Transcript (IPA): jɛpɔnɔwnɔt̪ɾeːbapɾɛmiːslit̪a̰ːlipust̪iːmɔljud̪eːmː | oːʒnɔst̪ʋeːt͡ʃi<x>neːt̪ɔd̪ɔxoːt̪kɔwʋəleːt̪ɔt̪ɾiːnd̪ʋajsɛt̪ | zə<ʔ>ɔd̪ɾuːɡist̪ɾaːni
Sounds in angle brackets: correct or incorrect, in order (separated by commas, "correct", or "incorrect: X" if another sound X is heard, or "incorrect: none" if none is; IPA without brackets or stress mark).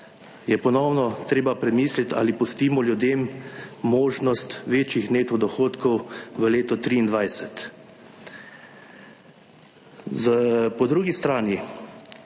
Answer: correct, incorrect: p